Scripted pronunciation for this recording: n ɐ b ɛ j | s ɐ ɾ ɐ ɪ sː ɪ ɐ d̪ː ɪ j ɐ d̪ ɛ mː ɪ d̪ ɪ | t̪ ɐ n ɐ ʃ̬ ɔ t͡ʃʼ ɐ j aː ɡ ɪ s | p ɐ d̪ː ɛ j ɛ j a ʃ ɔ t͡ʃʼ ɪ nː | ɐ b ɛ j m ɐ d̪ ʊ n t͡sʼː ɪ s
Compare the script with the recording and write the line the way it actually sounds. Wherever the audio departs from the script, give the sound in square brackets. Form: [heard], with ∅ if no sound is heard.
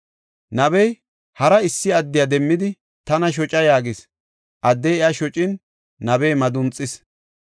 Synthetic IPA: n ɐ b ɛ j | [h] ɐ ɾ ɐ ɪ sː ɪ ɐ d̪ː ɪ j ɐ d̪ ɛ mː ɪ d̪ ɪ | t̪ ɐ n ɐ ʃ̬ ɔ t͡ʃʼ ɐ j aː ɡ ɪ s | [ʔ] ɐ d̪ː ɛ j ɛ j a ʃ ɔ t͡ʃʼ ɪ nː | ɐ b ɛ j m ɐ d̪ ʊ n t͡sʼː ɪ s